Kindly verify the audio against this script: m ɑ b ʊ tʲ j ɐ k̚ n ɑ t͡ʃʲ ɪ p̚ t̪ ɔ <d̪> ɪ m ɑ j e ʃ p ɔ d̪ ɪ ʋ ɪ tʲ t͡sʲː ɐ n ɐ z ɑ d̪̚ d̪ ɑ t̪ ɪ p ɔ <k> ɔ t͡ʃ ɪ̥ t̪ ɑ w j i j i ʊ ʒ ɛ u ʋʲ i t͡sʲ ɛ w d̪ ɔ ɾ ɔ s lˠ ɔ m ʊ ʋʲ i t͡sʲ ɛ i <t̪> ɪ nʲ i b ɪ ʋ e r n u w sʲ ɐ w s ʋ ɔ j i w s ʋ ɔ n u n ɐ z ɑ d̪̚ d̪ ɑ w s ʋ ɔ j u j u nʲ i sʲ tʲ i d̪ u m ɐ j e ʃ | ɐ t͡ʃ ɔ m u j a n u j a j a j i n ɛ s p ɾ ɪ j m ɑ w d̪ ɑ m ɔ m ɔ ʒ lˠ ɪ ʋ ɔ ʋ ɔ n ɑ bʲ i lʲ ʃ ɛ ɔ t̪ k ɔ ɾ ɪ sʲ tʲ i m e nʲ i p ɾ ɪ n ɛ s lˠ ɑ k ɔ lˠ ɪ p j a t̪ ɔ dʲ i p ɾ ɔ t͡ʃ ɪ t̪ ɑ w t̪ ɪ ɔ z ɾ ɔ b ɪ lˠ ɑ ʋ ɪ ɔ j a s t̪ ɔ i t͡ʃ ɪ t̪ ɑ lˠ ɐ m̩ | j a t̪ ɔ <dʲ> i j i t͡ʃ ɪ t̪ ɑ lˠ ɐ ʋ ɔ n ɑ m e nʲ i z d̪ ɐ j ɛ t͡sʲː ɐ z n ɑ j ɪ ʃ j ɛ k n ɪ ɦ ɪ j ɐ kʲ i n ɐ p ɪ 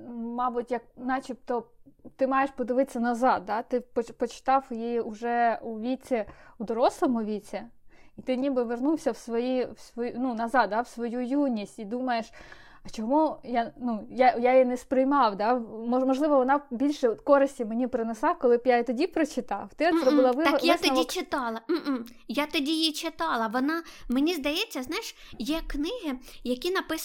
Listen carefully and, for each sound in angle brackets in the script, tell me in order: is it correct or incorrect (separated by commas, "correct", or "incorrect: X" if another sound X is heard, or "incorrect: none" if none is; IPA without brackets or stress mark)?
incorrect: t̪, incorrect: p, correct, correct